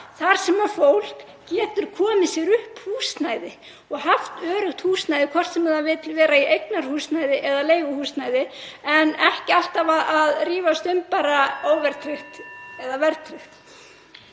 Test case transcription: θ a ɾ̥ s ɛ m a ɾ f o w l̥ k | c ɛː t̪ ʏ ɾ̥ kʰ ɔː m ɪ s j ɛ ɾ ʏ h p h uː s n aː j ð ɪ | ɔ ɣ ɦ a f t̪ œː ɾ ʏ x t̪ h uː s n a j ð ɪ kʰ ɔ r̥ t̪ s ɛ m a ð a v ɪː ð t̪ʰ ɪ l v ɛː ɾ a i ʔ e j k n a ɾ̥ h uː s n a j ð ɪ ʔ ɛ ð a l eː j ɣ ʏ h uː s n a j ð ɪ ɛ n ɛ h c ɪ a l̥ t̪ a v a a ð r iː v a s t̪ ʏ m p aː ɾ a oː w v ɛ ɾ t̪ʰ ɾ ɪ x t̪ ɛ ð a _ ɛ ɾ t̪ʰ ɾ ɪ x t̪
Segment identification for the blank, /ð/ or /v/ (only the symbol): v